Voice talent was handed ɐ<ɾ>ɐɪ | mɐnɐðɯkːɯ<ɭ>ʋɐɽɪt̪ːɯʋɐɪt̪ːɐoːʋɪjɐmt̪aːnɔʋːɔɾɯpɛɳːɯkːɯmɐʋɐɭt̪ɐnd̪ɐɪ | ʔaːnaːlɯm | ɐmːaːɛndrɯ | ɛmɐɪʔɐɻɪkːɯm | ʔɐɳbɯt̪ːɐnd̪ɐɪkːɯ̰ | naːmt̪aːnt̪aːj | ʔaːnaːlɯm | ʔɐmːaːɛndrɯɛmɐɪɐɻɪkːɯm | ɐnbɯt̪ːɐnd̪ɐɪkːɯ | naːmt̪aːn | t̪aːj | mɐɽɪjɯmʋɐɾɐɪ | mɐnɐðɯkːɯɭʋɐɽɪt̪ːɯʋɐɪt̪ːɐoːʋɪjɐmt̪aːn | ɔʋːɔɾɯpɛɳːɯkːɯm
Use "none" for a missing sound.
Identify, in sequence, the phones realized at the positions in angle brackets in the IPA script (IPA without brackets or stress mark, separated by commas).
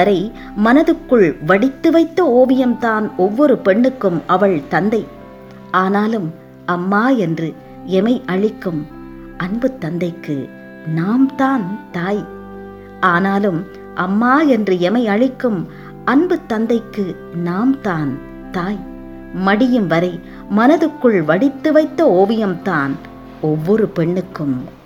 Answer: ɾ, ɭ